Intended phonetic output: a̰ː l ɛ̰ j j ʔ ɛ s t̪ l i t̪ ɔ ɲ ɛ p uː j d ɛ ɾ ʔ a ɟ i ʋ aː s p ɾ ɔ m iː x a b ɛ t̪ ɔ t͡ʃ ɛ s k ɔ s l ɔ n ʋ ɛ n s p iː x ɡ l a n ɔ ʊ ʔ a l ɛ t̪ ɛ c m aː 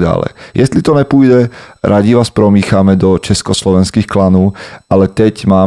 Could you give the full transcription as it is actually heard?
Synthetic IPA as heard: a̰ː l ɛ̰ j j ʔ ɛ s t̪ l i t̪ ɔ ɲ ɛ p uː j d ɛ ɾ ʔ a ɟ i ʋ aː s p ɾ ɔ m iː x a m ɛ d̪ ɔ t͡ʃ ɛ s k ɔ s l ɔ ʋ ɛ n s k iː x k l a n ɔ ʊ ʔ a l ɛ t̪ ɛ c m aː